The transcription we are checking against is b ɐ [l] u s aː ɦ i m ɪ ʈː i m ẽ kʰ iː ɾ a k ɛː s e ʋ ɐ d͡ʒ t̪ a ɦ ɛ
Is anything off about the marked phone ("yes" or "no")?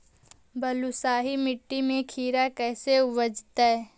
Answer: no